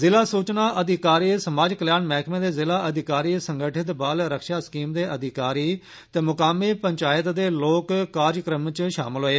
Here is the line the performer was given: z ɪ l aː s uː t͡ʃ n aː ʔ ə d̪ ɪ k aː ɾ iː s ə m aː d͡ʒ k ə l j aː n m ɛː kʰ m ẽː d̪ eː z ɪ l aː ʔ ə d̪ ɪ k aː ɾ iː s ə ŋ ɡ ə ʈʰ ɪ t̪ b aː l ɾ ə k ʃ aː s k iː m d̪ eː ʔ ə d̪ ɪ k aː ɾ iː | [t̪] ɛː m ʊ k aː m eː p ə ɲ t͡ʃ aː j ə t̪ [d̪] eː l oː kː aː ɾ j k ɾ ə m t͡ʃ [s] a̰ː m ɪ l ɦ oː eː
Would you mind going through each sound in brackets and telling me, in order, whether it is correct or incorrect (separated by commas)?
correct, correct, incorrect